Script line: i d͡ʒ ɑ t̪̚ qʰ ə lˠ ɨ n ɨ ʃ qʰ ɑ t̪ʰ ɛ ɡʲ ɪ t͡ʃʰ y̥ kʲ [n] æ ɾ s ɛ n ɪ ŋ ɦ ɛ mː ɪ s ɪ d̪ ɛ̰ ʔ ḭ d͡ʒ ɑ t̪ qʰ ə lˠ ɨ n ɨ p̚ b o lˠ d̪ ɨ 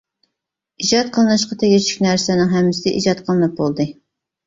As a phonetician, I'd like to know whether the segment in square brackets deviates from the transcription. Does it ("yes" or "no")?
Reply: no